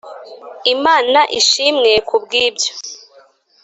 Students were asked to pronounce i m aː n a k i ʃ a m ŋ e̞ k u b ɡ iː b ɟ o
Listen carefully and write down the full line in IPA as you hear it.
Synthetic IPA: i m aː n a ʔ i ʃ i m ŋ e̞ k u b ɡ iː b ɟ o